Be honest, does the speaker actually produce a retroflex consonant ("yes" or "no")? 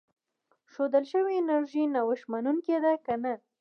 no